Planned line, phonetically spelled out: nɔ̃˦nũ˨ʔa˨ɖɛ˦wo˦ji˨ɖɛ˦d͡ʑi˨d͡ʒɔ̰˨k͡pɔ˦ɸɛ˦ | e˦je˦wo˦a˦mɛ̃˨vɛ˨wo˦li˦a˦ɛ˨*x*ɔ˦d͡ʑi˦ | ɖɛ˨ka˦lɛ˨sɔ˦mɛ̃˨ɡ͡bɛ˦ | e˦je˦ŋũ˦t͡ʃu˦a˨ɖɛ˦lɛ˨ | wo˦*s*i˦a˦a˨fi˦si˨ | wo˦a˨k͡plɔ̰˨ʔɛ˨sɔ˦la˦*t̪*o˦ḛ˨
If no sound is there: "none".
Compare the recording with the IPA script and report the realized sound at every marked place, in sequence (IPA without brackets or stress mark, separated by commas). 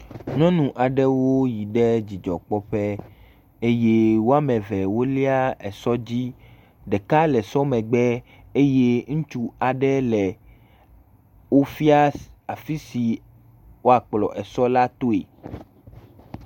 s, f, t̪